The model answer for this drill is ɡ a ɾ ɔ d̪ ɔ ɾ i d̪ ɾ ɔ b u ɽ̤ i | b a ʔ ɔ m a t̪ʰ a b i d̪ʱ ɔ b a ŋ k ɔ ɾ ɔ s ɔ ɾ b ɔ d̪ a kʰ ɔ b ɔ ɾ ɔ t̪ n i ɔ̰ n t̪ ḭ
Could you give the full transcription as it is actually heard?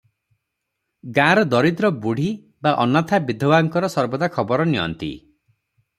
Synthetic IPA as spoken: ɡ a ɾ ɔ d̪ ɔ ɾ i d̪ ɾ ɔ b u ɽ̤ i | b a ʔ ɔ n a t̪ʰ a b i d̪ʱ ɔ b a ŋ k ɔ ɾ ɔ s ɔ ɾ b ɔ d̪ a kʰ ɔ b ɔ ɾ ɔ n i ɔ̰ n t̪ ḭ